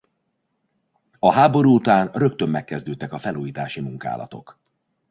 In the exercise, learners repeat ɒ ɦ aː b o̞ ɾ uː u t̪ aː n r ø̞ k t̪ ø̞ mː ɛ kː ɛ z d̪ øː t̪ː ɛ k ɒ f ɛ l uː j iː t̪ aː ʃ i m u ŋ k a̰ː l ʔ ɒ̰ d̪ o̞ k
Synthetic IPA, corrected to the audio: ɒ ɦ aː b o̞ ɾ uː u t̪ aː n r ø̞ k t̪ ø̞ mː ɛ kː ɛ z d̪ øː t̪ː ɛ k ɒ f ɛ l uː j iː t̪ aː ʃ i m u ŋ k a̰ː l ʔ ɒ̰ t̪ o̞ k